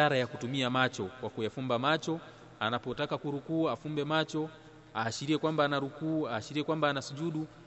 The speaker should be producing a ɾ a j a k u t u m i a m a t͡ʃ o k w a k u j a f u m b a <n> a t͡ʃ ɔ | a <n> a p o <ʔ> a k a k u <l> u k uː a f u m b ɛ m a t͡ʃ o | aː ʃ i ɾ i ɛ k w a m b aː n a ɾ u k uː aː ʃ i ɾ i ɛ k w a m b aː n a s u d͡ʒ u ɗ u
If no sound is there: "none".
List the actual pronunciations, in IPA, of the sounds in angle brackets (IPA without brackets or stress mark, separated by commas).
m, n, t, ɾ